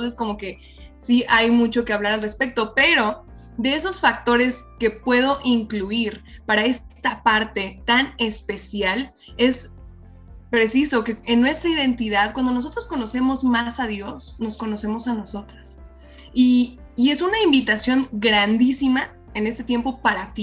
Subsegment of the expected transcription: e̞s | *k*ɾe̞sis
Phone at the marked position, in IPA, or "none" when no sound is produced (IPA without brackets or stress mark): p